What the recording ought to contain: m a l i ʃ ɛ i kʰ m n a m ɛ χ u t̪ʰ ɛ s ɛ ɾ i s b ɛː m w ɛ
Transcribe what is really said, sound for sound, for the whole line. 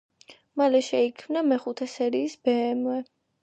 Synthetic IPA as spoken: m a l ɛ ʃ ɛ i kʰ m n a m ɛ χ u t̪ʰ ɛ s ɛ ɾ iː s b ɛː m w ɛ